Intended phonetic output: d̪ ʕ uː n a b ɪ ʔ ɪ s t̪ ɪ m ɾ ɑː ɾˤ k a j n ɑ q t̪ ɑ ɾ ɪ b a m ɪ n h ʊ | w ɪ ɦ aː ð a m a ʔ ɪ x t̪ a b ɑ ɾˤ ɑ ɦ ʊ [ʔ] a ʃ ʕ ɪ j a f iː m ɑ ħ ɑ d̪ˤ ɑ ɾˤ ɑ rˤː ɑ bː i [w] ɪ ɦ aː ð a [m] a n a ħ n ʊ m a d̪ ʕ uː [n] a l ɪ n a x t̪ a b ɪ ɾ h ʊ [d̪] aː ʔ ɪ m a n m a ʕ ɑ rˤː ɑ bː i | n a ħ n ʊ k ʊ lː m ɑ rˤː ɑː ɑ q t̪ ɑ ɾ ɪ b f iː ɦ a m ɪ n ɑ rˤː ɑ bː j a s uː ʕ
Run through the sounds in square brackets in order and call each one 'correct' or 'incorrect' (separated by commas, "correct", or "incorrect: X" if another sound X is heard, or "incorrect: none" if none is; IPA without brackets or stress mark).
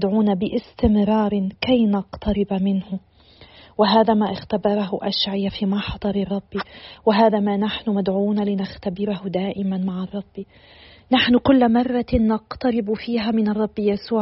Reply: correct, correct, correct, correct, correct